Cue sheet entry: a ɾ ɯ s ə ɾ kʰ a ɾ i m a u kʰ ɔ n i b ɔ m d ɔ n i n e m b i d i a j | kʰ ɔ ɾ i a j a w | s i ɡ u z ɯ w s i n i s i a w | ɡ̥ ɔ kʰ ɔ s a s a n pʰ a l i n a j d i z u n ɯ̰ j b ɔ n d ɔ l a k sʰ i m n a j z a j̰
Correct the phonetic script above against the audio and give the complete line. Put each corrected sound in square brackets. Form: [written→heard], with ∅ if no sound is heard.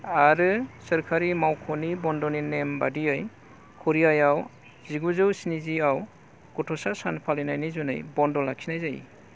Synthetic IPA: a ɾ ɯ s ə ɾ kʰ a ɾ i m a [u→w] kʰ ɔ n i b ɔ [m→n] d ɔ n i n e m b [i→a] d i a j | kʰ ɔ ɾ i a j a w | [s→z] i ɡ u z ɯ w s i n i [s→z] i a w | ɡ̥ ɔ [kʰ→tʰ] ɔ s a s a n pʰ a l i n a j [d→n] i z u n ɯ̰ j b ɔ n d ɔ l a k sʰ i [m→∅] n a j z a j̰